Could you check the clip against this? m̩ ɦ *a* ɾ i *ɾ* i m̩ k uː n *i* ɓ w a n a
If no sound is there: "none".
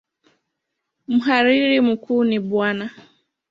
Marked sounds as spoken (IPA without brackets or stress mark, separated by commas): a, ɾ, i